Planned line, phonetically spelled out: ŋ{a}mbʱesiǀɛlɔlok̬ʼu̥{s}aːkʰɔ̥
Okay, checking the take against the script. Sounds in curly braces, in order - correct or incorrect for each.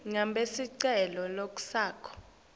correct, correct

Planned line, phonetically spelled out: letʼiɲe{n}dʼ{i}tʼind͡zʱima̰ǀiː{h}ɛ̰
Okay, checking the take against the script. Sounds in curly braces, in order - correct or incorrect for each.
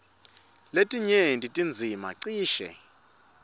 correct, correct, incorrect

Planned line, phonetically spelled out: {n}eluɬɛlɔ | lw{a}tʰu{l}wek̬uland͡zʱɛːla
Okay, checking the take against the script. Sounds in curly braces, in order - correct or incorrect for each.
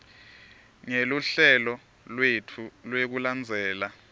incorrect, incorrect, correct

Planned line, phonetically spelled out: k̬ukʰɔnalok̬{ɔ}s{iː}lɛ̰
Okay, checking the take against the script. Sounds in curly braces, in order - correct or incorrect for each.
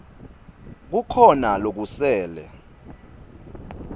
incorrect, incorrect

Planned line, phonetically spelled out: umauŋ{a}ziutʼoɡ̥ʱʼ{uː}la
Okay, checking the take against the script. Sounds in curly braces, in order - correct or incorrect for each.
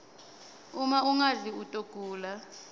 correct, correct

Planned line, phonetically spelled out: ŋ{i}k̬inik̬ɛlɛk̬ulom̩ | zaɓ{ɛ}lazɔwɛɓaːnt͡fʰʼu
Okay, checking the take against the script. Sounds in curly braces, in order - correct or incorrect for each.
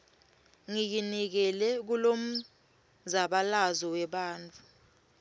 correct, incorrect

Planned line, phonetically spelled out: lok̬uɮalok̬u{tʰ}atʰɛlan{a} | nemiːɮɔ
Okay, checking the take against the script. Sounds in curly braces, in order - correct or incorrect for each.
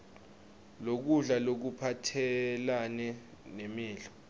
incorrect, incorrect

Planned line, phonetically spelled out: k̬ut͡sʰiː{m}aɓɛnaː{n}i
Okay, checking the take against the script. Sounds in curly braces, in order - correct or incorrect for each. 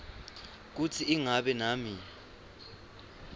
incorrect, incorrect

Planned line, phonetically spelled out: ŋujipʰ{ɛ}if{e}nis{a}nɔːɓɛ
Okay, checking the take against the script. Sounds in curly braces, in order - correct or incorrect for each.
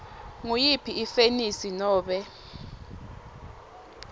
incorrect, correct, incorrect

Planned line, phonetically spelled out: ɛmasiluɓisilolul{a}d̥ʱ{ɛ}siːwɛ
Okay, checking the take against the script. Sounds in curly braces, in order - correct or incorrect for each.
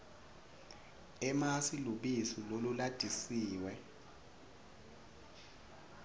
correct, incorrect

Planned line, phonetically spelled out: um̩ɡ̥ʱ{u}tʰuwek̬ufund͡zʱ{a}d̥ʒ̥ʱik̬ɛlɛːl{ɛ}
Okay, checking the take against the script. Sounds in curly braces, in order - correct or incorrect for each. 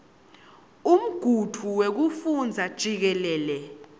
correct, correct, correct

